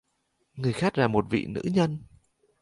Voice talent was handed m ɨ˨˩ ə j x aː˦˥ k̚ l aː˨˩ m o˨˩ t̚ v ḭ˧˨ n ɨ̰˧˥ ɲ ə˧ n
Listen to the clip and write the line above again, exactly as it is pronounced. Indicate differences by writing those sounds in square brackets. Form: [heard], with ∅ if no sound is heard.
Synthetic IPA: [ŋ] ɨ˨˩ ə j x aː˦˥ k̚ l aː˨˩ m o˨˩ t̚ v ḭ˧˨ n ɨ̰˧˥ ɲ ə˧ n